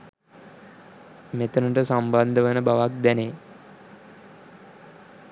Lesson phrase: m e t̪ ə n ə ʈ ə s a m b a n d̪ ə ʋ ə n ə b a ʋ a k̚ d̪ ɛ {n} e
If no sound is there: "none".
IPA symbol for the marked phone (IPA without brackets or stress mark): n